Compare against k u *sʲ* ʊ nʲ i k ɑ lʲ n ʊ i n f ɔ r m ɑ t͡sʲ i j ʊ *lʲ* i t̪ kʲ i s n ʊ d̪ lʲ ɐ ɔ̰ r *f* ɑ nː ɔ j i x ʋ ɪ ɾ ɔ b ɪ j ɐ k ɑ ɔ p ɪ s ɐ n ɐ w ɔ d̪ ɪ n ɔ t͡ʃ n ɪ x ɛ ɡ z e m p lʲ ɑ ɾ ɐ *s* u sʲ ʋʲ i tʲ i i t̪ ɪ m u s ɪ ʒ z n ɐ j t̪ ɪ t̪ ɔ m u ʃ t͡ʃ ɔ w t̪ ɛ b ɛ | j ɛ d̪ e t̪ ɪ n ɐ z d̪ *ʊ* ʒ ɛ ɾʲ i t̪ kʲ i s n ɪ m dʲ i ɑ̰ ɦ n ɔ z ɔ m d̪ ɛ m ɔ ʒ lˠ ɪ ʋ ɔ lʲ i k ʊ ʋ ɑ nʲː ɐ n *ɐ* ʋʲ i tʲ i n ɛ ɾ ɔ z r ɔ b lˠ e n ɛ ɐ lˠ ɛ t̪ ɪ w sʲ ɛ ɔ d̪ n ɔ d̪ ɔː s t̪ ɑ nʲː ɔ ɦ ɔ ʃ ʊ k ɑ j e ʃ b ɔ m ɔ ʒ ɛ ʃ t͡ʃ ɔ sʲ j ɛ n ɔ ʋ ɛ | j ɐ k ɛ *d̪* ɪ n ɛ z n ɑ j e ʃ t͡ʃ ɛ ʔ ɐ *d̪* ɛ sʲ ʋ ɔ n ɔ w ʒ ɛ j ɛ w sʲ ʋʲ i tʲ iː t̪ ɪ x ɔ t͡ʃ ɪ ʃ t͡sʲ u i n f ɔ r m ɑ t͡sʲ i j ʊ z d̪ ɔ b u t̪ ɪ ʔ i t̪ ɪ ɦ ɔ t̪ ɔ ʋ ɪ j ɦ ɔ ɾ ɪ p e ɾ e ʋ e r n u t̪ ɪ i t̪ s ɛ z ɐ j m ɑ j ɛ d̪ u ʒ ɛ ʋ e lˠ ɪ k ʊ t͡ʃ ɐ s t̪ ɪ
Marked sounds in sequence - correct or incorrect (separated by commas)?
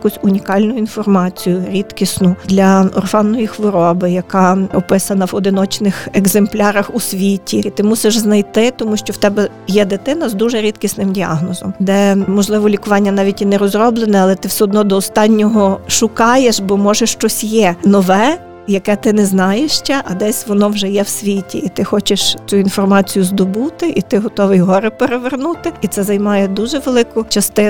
correct, incorrect, correct, incorrect, incorrect, incorrect, incorrect, correct